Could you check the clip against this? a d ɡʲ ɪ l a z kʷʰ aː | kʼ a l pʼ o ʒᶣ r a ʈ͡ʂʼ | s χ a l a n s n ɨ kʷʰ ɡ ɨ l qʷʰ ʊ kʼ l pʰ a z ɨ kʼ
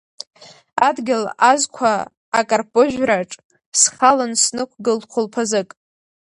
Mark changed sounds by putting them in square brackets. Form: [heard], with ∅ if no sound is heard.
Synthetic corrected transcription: a d ɡʲ ɪ l a z kʷʰ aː | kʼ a [r] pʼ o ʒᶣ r a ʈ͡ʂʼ | s χ a l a n s n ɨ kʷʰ ɡ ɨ l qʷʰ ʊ [∅] l pʰ a z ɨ kʼ